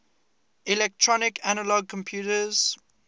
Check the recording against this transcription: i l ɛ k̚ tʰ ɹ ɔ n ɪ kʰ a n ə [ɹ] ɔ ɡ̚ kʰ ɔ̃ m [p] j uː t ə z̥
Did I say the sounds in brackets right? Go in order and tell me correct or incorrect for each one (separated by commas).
incorrect, incorrect